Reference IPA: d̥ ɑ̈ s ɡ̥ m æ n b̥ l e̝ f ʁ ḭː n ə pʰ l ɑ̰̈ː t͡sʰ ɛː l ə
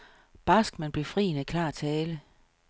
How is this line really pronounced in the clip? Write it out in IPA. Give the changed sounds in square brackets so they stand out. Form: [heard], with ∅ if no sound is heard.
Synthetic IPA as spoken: [b̥] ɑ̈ s ɡ̥ m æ n b̥ l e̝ f ʁ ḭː n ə [kʰ] l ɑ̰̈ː t͡sʰ ɛː l ə